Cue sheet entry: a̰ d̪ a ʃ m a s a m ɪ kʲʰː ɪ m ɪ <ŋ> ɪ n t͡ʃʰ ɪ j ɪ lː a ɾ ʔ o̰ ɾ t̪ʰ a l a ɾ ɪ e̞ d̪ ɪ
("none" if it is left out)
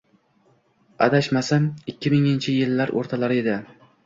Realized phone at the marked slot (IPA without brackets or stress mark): ŋ